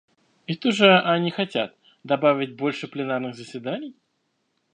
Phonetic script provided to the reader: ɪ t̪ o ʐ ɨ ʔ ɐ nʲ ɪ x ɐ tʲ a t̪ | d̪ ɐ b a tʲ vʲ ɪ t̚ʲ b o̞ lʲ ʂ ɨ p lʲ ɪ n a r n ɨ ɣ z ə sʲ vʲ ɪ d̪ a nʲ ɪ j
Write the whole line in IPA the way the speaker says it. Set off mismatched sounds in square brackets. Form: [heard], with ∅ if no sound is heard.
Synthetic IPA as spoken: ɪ t̪ o ʐ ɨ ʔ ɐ nʲ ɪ x ɐ tʲ a t̪ | d̪ ɐ b a [∅] vʲ ɪ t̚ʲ b o̞ lʲ ʂ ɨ p lʲ ɪ n a r n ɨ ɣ z ə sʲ vʲ ɪ d̪ a nʲ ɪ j